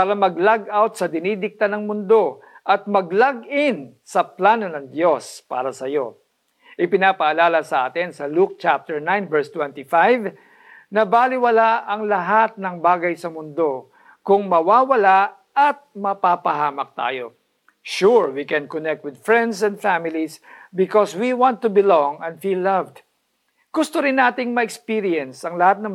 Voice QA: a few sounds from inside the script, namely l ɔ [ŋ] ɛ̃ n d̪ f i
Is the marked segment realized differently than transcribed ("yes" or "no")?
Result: no